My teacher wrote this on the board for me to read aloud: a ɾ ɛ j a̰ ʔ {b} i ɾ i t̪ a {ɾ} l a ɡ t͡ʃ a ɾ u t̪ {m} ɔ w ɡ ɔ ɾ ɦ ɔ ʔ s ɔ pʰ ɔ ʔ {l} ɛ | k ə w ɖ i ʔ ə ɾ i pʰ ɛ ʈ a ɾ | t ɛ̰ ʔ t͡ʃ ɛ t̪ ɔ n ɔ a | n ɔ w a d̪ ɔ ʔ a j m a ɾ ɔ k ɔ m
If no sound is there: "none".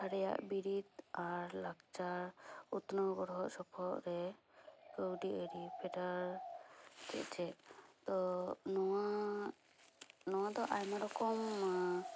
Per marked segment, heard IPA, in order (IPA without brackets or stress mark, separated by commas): b, ɾ, n, ɾ